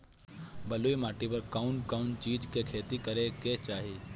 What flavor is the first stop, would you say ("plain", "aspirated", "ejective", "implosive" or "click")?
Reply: plain